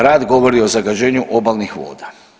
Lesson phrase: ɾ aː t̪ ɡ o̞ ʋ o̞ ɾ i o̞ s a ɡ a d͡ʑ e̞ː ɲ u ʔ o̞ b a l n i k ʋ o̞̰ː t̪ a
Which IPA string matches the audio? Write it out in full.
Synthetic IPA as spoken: ɾ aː d̪ ɡ o̞ ʋ o̞ ɾ i o̞ z a ɡ a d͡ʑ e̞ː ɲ u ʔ o̞ b a l n i x ʋ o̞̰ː d̪ a